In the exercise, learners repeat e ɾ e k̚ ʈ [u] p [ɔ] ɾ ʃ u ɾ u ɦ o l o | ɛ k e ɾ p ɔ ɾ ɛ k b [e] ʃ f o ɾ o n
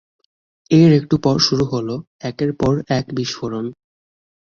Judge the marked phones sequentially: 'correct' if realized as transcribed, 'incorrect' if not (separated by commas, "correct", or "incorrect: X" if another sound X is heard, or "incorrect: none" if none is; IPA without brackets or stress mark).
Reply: correct, correct, incorrect: i